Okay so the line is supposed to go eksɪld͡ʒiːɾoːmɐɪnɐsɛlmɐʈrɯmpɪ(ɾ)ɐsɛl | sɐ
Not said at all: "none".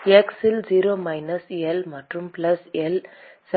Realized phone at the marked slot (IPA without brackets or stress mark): l